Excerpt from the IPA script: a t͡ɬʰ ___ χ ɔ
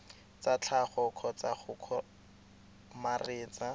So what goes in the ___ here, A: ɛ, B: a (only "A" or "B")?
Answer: B